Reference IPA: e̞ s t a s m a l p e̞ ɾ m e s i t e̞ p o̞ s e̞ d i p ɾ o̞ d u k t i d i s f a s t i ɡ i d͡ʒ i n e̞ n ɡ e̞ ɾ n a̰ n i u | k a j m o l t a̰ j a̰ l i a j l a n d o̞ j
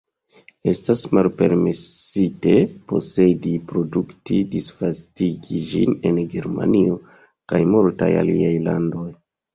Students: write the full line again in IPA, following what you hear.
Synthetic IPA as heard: e̞ s t a s m a l p e̞ ɾ m e s i t e̞ p o̞ s e̞ d i p ɾ o̞ d u k t i d i s f a s t i ɡ i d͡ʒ i n e̞ n ɡ e̞ ɾ m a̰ n i o | k a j m o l t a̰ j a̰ l i a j l a n d o̞ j